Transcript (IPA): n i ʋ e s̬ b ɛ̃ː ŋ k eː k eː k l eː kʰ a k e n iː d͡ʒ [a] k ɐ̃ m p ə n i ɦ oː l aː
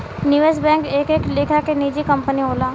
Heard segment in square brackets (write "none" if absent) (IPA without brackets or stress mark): i